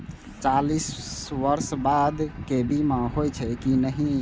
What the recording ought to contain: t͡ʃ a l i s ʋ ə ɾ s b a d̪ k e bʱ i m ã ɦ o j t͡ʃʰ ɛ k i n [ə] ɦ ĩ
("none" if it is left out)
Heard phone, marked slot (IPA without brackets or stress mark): ə